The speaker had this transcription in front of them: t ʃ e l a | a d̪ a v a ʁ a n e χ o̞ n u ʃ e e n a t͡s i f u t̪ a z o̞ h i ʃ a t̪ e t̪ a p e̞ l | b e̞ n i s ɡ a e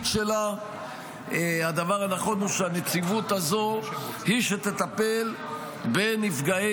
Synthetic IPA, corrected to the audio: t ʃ e l a | a d̪ a v a ʁ a n a χ o̞ n u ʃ e a n e t͡s i v u t̪ a z o̞ h i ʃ e t̪ e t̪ a p e̞ l | b e̞ n i f ɡ a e